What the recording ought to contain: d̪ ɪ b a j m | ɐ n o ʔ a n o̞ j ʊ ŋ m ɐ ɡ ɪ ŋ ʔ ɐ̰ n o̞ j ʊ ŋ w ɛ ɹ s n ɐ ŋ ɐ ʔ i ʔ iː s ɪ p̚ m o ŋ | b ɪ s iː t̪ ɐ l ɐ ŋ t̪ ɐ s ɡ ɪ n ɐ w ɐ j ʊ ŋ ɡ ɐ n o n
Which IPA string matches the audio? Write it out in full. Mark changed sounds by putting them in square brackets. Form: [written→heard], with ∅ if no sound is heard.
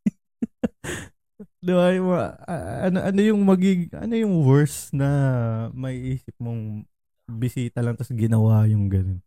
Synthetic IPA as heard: d̪ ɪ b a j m | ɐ n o ʔ [a→ɐ] n o̞ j ʊ ŋ m ɐ ɡ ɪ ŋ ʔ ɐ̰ n o̞ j ʊ ŋ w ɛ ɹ s n ɐ [ŋ→m] ɐ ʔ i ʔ iː s ɪ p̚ m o ŋ | b ɪ s iː t̪ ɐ l ɐ ŋ t̪ ɐ s ɡ ɪ n ɐ w [ɐ→a] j ʊ ŋ ɡ ɐ n o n